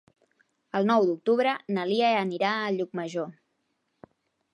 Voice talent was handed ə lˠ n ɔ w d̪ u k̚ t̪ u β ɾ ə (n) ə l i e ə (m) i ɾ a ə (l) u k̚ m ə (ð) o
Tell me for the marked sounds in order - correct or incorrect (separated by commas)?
correct, incorrect, incorrect, incorrect